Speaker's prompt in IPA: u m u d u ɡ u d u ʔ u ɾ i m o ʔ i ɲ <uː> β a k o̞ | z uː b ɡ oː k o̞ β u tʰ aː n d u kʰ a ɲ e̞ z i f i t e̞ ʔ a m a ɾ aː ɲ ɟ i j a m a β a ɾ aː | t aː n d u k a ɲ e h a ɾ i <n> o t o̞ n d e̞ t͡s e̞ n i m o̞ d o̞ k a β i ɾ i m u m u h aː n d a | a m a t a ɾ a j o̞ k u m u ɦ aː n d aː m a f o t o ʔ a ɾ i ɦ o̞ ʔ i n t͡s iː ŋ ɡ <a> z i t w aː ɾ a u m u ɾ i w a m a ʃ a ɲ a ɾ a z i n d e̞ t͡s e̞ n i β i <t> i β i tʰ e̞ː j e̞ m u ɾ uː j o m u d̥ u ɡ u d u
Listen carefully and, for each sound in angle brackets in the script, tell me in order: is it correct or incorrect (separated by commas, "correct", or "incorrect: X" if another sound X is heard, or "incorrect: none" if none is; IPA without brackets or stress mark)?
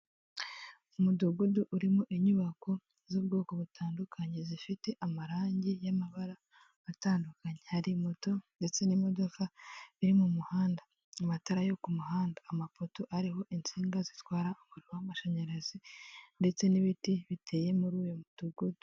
incorrect: u, incorrect: m, correct, correct